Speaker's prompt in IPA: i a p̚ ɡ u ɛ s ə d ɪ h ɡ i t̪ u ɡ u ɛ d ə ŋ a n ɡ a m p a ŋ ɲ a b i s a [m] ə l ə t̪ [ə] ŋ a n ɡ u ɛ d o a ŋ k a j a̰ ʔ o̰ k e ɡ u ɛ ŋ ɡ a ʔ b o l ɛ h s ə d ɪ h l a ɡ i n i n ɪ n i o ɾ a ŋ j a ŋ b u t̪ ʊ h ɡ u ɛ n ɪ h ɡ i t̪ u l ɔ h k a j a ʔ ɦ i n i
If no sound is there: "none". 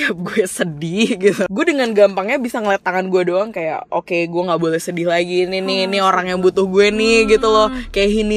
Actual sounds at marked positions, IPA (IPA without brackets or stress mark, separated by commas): ŋ, a